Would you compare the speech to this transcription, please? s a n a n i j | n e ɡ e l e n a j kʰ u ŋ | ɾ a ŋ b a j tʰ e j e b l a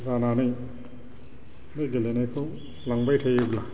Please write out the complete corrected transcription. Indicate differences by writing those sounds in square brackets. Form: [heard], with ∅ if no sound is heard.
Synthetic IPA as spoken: [z] a n a n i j | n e ɡ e l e n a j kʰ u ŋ | [l] a ŋ b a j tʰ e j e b l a